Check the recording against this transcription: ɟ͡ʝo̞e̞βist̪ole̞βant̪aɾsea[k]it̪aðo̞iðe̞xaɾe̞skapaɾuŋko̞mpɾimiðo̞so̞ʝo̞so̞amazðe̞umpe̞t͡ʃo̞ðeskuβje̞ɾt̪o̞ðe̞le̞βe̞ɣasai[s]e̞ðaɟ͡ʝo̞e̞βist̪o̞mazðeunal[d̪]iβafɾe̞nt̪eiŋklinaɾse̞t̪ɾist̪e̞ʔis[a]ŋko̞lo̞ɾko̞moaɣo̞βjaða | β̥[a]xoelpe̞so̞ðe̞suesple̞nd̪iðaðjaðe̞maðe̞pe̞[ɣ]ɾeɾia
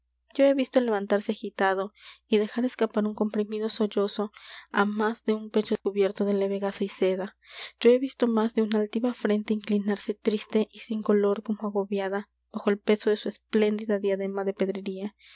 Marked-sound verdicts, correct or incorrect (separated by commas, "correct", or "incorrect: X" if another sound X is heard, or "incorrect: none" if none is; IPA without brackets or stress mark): incorrect: x, correct, incorrect: t̪, incorrect: i, correct, incorrect: ð